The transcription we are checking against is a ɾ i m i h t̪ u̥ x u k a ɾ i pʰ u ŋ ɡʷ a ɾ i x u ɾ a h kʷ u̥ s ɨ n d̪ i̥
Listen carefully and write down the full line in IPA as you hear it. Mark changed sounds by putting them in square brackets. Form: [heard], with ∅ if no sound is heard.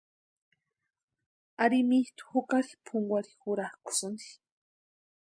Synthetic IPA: a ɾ i m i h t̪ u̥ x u k a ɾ i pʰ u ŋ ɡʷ a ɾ i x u ɾ a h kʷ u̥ s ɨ n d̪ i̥